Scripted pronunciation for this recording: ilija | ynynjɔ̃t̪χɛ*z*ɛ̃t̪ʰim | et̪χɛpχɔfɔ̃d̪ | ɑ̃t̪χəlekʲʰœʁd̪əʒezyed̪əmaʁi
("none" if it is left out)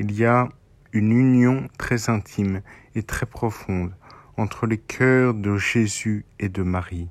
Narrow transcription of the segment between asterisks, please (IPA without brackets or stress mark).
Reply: z